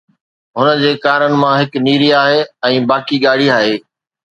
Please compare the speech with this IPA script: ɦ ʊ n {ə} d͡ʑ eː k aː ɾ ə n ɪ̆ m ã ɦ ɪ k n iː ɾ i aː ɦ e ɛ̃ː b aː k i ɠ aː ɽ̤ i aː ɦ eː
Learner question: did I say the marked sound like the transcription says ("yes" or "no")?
yes